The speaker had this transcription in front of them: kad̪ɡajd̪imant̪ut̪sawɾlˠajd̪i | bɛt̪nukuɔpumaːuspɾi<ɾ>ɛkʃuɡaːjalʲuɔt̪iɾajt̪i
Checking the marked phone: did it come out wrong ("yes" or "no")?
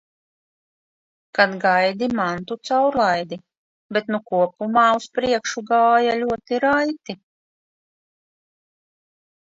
yes